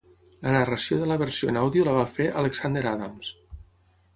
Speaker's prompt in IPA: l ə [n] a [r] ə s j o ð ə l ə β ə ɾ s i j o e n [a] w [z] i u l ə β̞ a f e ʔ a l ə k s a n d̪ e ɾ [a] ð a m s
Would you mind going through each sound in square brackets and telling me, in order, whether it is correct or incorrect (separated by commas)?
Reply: correct, correct, correct, incorrect, correct